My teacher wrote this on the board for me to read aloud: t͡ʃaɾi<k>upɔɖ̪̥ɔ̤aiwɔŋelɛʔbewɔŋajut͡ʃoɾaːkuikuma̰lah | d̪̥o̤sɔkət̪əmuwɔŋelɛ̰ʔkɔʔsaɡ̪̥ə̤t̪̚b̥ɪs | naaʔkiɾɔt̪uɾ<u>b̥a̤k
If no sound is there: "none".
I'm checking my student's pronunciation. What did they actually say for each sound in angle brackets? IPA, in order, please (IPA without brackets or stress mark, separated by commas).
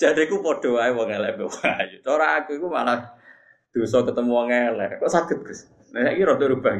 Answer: k, u